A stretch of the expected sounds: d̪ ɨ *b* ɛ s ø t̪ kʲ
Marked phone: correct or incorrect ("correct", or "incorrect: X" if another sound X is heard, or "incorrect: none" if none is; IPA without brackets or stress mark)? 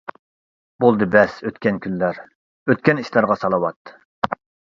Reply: correct